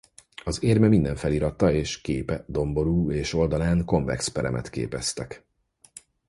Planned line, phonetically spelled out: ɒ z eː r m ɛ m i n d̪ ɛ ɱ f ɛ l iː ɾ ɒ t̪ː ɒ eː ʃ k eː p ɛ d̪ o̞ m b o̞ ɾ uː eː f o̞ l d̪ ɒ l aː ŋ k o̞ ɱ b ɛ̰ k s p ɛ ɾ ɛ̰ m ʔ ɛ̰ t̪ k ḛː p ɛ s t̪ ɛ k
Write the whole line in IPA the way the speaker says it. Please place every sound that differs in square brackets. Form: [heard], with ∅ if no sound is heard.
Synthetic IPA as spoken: ɒ z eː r m ɛ m i n d̪ ɛ ɱ f ɛ l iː ɾ ɒ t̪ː ɒ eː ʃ k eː p ɛ d̪ o̞ m b o̞ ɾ uː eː [ʃ] o̞ l d̪ ɒ l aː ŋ k o̞ ɱ [v] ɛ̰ k s p ɛ ɾ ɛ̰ m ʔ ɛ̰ t̪ k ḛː p ɛ s t̪ ɛ k